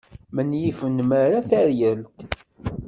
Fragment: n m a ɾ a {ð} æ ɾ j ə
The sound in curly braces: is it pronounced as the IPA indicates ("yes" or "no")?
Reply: no